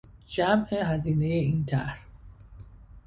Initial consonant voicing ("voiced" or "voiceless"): voiced